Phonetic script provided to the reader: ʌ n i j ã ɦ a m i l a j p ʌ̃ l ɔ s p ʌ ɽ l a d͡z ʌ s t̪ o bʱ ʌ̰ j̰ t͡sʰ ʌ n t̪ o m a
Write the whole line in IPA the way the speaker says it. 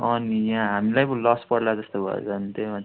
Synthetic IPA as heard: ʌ n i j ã ɦ a m i l a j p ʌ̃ l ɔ s p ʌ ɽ l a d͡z ʌ s t̪ o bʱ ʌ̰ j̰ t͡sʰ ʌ n t̪ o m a